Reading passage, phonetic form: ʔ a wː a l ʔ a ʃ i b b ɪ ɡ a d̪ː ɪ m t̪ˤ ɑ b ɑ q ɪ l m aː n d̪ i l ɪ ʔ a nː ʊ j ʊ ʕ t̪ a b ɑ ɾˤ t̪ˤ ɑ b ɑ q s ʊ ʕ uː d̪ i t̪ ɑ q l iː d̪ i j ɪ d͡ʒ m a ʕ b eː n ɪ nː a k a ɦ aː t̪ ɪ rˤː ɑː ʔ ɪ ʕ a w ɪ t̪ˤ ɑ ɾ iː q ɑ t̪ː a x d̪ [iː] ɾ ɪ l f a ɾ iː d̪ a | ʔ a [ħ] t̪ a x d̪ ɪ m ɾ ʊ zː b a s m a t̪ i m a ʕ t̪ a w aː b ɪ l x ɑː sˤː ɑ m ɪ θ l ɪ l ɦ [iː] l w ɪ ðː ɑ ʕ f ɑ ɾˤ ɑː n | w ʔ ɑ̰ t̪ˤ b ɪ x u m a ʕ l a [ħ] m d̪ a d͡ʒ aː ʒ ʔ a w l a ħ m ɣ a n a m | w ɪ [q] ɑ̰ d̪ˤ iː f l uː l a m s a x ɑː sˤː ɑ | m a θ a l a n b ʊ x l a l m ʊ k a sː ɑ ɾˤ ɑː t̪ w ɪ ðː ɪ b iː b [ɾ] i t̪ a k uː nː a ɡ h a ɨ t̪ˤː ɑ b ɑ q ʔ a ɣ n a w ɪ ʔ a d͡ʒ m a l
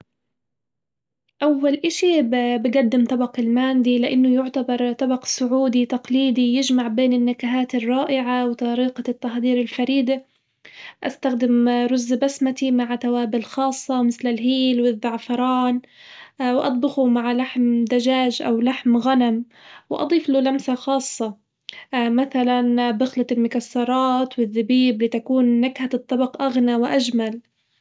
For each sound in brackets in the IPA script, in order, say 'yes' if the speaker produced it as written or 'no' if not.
yes, no, yes, yes, no, no

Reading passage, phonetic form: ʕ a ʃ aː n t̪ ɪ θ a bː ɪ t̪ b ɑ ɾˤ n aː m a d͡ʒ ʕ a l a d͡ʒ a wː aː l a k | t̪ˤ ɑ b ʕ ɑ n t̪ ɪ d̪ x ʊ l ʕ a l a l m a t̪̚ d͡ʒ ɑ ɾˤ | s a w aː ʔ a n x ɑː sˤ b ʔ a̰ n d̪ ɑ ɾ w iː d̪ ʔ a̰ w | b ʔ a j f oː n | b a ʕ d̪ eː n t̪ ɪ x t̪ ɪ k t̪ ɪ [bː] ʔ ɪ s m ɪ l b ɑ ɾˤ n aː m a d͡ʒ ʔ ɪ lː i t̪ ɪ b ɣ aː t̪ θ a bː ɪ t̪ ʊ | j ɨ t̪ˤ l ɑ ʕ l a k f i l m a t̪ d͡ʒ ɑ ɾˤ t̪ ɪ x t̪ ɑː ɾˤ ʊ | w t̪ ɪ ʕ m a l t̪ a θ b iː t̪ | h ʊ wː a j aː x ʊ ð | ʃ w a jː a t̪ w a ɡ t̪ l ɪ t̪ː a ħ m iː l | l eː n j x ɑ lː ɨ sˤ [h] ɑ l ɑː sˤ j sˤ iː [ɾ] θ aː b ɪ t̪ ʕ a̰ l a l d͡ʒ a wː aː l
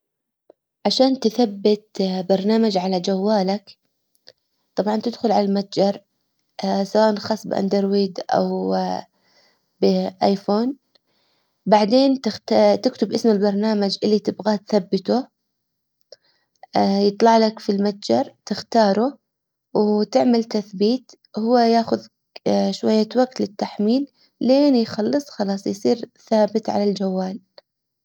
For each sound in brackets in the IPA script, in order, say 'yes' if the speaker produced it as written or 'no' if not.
no, no, yes

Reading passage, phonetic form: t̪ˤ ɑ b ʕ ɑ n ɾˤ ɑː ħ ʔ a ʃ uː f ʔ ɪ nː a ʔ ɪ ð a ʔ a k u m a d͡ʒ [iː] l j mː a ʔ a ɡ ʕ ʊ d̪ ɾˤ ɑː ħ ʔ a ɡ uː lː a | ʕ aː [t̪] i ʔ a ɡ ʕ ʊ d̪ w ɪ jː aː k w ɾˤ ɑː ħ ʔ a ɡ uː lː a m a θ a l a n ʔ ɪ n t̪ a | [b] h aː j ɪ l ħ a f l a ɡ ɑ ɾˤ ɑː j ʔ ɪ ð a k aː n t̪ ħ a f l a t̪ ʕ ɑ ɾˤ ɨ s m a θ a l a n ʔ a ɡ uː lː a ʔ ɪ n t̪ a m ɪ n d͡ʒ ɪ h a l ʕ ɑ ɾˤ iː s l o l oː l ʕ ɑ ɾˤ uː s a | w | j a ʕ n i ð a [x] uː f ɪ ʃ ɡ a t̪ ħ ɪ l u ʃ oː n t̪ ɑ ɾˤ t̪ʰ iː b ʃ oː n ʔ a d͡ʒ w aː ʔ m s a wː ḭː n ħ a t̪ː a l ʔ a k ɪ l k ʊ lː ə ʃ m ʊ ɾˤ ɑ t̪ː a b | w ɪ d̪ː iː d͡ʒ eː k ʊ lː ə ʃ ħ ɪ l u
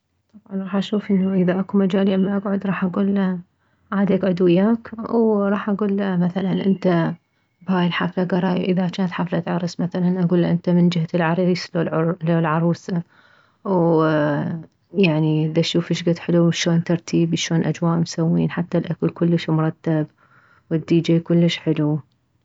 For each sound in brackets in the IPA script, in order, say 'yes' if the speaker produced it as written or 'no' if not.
no, no, yes, no

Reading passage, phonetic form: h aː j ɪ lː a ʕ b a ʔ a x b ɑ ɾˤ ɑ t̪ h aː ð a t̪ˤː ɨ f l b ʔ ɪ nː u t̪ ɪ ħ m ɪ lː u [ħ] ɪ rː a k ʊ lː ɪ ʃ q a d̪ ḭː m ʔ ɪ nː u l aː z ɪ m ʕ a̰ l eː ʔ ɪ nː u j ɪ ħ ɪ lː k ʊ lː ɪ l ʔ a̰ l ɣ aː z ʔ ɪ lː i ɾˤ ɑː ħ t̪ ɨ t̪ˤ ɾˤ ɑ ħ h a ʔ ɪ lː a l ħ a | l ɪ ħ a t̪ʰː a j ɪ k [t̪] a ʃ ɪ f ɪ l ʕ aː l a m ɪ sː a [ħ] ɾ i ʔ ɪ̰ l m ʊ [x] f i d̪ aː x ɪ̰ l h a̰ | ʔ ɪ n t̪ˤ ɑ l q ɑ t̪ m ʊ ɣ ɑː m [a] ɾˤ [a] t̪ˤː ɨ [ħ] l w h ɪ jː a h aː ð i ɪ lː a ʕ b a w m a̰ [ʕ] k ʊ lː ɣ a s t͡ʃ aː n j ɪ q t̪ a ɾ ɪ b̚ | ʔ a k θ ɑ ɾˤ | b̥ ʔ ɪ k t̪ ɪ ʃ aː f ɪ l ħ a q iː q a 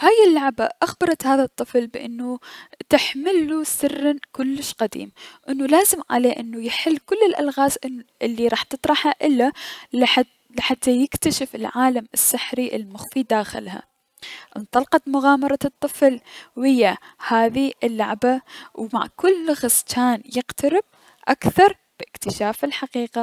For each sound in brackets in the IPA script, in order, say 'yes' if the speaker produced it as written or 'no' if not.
no, yes, yes, yes, no, no, no, yes

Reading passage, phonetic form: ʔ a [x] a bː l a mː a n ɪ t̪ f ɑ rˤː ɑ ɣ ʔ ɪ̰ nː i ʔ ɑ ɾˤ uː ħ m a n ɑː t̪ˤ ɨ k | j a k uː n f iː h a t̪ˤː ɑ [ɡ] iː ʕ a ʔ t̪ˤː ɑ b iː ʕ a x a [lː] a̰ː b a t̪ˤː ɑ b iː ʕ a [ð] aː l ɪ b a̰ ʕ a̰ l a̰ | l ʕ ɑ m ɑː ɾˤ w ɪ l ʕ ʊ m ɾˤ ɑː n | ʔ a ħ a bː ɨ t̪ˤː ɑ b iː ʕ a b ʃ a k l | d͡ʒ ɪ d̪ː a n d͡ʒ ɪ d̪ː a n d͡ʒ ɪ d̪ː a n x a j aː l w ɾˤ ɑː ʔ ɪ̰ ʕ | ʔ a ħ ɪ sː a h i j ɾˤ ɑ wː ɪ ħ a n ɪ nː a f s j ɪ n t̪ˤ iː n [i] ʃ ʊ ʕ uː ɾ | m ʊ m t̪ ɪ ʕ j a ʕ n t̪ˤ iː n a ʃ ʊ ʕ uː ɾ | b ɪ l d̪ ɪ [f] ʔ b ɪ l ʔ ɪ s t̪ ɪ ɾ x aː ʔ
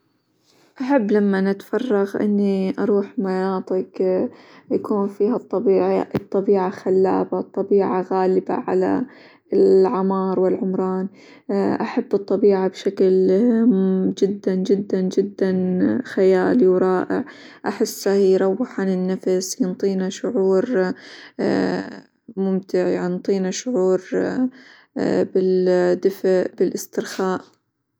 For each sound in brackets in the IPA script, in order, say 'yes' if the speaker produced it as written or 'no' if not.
no, no, yes, no, no, yes

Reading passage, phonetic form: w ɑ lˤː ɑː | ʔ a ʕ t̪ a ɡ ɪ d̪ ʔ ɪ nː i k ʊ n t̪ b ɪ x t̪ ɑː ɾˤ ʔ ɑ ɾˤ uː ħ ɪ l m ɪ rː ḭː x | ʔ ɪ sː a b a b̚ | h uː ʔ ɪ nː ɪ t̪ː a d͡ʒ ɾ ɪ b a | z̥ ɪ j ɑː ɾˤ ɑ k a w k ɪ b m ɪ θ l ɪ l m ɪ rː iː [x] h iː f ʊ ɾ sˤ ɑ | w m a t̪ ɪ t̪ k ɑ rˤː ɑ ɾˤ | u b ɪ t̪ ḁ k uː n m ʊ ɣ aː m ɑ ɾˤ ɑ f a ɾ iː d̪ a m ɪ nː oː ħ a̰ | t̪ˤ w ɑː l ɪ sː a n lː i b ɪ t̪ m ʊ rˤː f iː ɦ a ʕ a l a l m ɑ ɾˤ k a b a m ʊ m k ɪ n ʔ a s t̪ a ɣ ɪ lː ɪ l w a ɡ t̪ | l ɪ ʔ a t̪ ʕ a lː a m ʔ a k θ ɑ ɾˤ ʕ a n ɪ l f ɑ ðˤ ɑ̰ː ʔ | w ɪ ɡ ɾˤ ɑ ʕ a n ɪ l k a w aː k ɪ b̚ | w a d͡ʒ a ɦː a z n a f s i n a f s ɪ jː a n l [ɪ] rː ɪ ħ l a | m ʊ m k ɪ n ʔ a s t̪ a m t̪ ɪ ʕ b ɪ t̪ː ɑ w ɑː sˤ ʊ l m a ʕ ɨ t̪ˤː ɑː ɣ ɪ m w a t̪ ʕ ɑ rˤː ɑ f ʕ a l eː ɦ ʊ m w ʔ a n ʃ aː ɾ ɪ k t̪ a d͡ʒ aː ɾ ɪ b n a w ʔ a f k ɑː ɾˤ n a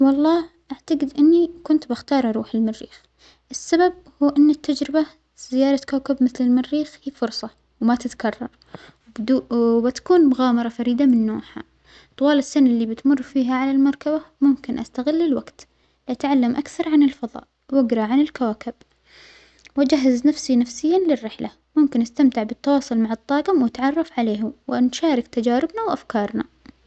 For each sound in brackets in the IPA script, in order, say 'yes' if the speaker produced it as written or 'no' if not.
yes, yes

